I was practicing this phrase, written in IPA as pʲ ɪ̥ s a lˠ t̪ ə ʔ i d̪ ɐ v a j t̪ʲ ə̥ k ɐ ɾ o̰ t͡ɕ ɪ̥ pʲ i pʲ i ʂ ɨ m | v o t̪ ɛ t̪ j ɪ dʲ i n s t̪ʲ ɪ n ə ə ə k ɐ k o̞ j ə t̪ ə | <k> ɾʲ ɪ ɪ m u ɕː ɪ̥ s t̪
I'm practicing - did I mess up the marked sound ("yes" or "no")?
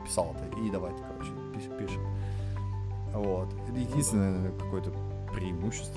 yes